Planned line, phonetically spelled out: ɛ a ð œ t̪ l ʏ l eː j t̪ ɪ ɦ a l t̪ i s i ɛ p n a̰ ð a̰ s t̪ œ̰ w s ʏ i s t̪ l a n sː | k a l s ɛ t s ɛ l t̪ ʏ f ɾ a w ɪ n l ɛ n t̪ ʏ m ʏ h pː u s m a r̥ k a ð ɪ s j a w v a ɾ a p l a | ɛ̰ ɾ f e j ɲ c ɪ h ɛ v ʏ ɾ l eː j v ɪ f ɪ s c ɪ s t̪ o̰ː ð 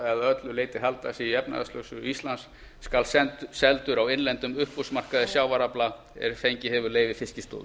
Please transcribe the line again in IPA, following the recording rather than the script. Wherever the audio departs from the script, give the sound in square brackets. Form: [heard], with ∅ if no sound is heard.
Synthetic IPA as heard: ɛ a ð œ t̪ l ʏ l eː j t̪ ɪ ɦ a l t̪ [a] s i ɛ p n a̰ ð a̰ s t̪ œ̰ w s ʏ i s t̪ l a n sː | k a l s ɛ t s ɛ l t̪ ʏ [∅] ɾ a w ɪ n l ɛ n t̪ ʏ m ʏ h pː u s m a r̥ k a ð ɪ s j a w v a ɾ a p l a | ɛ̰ ɾ f e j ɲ c ɪ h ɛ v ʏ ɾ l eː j v ɪ f ɪ s c ɪ s t̪ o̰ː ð